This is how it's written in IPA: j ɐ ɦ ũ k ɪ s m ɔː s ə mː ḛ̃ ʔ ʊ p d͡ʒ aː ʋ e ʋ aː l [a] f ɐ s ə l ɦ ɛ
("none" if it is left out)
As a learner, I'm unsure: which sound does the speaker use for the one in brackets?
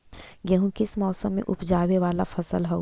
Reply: a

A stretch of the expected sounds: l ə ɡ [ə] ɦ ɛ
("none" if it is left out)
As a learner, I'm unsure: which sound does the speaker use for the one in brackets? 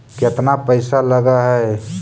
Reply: a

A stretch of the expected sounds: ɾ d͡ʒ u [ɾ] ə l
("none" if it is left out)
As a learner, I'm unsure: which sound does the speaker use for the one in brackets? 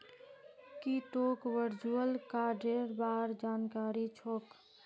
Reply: none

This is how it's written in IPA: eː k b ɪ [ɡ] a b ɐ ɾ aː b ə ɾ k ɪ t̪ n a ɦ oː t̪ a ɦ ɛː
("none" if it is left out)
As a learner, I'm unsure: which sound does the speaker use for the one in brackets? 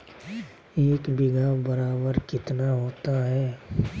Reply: ɡ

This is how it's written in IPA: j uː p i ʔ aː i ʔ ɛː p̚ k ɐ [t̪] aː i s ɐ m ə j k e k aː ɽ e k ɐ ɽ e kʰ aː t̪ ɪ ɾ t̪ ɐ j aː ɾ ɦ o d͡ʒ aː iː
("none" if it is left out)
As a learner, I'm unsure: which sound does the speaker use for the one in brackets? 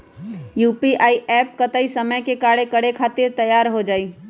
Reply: t̪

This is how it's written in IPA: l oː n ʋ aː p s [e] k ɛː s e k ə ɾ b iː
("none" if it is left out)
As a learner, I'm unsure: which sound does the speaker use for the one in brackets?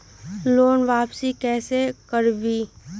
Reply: i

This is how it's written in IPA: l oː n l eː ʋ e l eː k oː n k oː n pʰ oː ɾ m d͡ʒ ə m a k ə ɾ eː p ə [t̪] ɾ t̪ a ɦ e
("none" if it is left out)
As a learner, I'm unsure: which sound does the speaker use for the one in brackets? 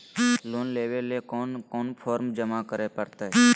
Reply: none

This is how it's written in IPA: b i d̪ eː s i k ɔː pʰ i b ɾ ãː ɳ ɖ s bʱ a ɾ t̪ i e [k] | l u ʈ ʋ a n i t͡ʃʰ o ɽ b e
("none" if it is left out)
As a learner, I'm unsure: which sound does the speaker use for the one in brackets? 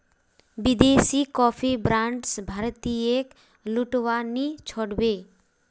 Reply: k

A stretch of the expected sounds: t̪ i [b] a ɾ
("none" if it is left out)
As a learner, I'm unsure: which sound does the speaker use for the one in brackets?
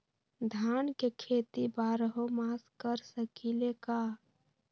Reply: b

